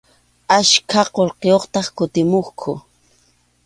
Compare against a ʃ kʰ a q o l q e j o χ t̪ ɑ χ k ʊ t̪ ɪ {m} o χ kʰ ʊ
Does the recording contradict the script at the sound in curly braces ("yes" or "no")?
no